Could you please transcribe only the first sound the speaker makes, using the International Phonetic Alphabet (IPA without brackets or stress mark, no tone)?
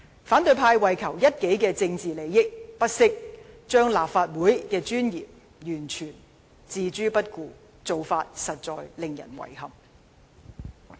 f